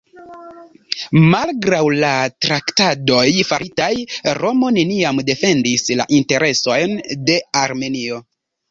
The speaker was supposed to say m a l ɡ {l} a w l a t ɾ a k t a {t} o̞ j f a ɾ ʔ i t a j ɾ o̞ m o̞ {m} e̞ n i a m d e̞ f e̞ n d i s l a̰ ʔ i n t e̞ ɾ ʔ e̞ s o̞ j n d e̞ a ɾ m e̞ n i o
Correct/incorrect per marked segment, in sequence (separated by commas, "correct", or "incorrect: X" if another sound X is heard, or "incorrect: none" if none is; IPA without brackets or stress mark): incorrect: ɾ, incorrect: d, incorrect: n